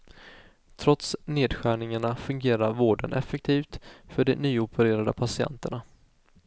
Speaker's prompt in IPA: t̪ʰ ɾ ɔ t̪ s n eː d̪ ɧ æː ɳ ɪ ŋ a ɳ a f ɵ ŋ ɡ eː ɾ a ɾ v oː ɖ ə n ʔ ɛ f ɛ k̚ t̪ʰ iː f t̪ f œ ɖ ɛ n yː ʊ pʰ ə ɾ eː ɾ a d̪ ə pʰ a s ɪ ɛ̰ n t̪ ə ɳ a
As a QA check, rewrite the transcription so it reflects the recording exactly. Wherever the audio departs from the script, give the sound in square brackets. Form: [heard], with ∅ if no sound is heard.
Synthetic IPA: t̪ʰ ɾ ɔ t̪ s n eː d̪ ɧ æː ɳ ɪ ŋ a ɳ a f ɵ ŋ ɡ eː ɾ a ɾ v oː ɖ ə n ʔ ɛ f ɛ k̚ t̪ʰ iː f t̪ f œ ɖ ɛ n yː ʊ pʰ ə ɾ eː ɾ a d̪ ə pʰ a s ɪ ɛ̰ n t̪ ə ɳ a